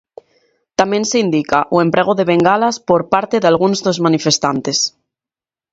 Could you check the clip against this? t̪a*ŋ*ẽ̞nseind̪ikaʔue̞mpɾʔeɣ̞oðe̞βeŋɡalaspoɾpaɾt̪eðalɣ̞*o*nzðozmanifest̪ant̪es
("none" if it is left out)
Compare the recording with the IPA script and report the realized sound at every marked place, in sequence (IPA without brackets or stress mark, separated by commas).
m, u